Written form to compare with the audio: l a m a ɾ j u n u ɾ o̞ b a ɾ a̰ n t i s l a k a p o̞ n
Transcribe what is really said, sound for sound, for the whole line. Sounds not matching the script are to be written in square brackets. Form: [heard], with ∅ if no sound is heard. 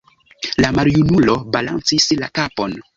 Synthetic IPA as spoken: l a m a ɾ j u n u [l] o̞ b a [l] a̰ n [t͡s] i s l a k a p o̞ n

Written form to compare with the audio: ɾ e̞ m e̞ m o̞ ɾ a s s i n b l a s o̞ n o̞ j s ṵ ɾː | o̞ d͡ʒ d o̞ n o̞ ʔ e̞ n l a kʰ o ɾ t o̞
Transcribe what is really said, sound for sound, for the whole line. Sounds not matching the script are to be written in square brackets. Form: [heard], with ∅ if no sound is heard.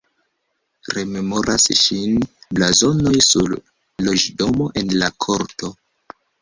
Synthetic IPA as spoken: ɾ e̞ m e̞ m o̞ ɾ a s [ʃ] i n b l a [z] o̞ n o̞ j s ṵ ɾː | o̞ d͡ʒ d o̞ [m] o̞ ʔ e̞ n l a kʰ o ɾ t o̞

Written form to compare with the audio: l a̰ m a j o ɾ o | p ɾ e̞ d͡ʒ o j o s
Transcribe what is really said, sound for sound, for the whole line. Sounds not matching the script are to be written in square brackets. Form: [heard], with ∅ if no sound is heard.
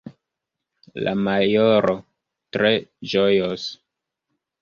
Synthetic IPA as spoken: l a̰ m a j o ɾ o | [t] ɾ e̞ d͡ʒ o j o s

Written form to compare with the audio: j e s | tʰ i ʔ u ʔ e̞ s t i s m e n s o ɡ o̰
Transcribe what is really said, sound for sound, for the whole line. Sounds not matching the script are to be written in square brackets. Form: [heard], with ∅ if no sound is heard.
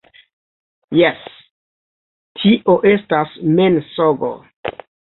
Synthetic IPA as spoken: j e s | tʰ i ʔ [o] ʔ e̞ s t [a] s m e n s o ɡ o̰

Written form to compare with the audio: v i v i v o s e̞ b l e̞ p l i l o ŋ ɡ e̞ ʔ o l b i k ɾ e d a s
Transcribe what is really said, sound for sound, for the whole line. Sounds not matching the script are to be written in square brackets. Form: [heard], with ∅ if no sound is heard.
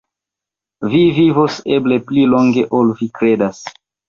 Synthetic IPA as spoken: v i v i v o s e̞ b l e̞ p l i l o ŋ ɡ e̞ ʔ o l [v] i k ɾ e d a s

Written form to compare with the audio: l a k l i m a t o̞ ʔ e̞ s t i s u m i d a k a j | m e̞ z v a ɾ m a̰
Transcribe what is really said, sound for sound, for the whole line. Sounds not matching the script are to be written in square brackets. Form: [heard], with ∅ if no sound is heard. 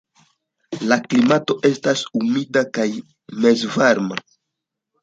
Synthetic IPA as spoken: l a k l i m a t o̞ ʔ e̞ s t [a] s u m i d a k a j | m e̞ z v a ɾ m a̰

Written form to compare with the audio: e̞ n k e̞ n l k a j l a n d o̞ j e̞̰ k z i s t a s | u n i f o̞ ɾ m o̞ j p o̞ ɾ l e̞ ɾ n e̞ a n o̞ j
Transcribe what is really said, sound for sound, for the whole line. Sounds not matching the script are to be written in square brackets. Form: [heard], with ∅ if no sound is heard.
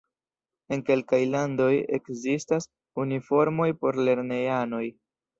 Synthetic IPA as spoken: e̞ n k e̞ [∅] l k a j l a n d o̞ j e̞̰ k z i s t a s | u n i f o̞ ɾ m o̞ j p o̞ ɾ l e̞ ɾ n e̞ a n o̞ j

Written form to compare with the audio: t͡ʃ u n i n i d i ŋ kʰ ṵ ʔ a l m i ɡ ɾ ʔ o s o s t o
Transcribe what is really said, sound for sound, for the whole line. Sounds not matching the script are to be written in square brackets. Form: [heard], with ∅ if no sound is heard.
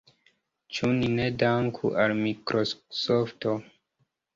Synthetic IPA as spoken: t͡ʃ u n i n [e] d [a] ŋ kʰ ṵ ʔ a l m i [k] ɾ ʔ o s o [f] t o

